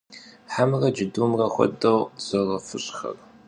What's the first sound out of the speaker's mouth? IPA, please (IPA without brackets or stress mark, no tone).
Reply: ħ